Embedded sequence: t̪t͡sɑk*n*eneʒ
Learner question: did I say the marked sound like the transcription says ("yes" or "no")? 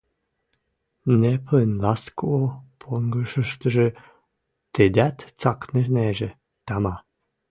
yes